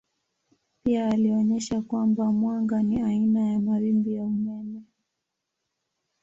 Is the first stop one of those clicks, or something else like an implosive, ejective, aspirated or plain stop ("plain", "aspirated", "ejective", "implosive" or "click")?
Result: plain